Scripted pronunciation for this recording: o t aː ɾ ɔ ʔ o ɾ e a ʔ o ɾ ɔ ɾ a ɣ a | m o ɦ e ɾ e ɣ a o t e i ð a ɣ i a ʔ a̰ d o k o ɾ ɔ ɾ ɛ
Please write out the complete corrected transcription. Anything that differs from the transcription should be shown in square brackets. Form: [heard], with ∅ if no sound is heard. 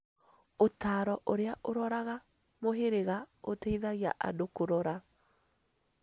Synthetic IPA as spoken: o t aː ɾ ɔ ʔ o ɾ e a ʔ o ɾ ɔ ɾ a ɣ a | m o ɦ e ɾ e ɣ a o t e i ð a ɣ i a ʔ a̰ d o k o ɾ ɔ ɾ [a]